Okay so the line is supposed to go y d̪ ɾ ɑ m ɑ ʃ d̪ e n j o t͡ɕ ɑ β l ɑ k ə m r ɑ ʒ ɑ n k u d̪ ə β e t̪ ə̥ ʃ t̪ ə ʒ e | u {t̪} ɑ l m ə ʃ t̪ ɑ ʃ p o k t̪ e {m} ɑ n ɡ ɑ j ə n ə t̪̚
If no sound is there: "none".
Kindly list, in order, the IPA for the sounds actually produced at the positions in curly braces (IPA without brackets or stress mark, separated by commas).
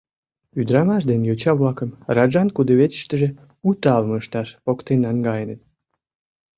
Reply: t̪, n